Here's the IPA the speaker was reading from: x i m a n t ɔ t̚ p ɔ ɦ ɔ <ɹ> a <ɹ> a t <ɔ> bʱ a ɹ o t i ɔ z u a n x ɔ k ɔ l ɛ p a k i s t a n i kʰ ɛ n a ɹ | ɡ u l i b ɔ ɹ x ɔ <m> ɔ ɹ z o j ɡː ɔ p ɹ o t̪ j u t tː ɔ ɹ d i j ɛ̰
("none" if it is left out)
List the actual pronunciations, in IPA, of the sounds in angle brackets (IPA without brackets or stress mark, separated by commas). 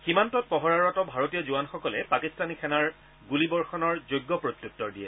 ɹ, ɹ, ɔ, n